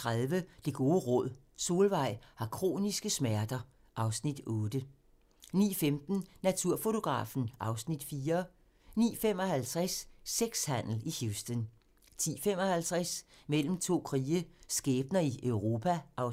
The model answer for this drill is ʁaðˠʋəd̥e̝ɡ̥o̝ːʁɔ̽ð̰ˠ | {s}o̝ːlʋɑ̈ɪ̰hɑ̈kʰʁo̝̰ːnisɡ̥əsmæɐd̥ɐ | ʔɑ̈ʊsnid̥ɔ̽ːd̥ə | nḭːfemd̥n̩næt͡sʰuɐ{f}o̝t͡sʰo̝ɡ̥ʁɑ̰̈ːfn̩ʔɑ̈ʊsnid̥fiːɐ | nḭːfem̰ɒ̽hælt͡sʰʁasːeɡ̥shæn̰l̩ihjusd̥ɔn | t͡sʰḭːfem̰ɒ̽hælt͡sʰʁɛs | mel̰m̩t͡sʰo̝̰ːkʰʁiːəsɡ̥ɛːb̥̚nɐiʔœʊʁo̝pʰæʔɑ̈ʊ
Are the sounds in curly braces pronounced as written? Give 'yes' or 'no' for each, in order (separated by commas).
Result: yes, yes